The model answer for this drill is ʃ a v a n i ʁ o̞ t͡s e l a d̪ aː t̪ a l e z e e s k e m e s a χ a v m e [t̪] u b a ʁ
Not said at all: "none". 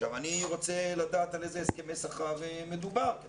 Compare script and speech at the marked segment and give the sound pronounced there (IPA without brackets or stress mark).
d̪